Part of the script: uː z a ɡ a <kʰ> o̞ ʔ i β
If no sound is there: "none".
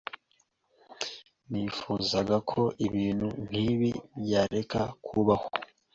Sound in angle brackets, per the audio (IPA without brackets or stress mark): kʰ